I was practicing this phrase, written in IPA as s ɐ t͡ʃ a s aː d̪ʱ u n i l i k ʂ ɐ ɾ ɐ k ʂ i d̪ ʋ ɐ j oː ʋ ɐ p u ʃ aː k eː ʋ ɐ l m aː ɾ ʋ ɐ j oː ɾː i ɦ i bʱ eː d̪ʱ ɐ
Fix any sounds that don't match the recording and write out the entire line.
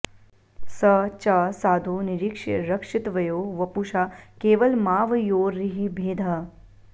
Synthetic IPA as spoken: s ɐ t͡ʃ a s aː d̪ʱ u n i ɾ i k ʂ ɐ ɾ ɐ k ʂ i t̪ ʋ ɐ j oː ʋ ɐ p u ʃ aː k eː ʋ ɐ l m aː ʋ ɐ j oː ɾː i ɦ i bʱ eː d̪ʱ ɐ